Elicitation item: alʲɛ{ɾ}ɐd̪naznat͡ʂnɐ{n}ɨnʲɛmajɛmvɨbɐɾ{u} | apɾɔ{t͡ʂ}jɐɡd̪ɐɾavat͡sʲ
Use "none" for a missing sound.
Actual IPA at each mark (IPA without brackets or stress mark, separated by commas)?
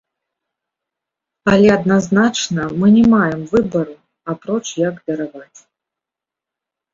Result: none, m, u, t͡ʂ